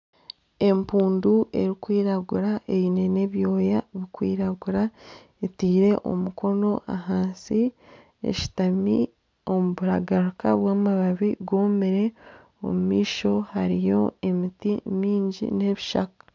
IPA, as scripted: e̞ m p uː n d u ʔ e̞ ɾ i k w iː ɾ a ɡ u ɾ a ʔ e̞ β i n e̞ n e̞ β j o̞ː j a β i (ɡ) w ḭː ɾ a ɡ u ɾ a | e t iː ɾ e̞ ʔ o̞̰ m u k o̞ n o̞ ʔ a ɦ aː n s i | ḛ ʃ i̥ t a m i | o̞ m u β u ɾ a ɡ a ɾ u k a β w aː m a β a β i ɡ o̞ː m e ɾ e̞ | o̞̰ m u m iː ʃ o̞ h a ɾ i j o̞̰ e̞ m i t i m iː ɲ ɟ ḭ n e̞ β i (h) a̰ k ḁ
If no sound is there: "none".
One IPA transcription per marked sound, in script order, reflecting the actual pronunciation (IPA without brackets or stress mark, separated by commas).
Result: k, ʃ